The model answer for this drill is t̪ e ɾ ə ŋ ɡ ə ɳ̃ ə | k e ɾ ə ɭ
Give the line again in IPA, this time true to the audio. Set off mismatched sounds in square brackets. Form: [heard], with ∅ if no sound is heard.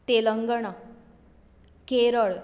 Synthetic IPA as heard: t̪ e [l] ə ŋ ɡ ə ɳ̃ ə | k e ɾ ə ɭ